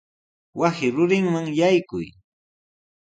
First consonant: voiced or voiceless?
voiced